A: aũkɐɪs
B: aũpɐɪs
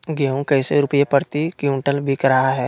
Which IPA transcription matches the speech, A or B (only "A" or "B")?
A